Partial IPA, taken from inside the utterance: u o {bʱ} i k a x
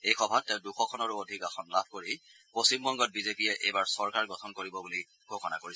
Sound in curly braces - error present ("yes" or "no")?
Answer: yes